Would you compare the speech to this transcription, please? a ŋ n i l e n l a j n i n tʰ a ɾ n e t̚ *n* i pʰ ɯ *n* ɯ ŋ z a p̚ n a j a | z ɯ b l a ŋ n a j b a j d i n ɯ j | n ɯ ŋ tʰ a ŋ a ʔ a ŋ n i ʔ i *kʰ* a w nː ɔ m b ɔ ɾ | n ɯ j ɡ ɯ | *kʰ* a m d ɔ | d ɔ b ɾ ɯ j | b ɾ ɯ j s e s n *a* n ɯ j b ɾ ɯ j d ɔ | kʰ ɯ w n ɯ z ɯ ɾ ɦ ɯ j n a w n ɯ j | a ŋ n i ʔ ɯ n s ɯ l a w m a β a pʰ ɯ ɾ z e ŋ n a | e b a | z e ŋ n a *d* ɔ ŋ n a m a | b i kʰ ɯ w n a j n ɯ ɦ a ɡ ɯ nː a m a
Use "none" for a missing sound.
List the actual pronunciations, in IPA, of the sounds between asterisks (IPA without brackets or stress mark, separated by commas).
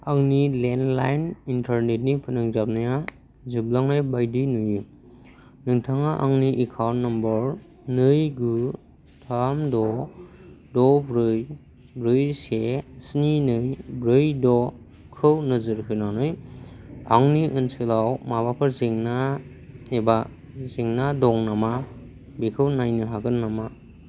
n, n, kʰ, tʰ, i, d